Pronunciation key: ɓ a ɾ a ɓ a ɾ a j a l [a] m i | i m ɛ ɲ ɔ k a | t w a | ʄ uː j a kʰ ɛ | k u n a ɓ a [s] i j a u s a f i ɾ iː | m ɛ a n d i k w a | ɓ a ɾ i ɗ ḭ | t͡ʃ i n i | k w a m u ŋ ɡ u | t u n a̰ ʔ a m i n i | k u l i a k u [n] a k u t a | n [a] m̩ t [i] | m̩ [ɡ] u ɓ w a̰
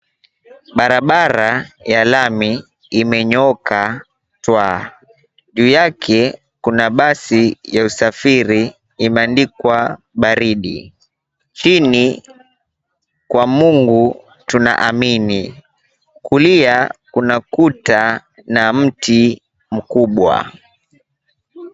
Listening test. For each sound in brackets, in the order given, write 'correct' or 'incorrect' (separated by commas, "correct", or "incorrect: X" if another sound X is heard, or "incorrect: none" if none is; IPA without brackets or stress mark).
correct, correct, correct, correct, correct, incorrect: k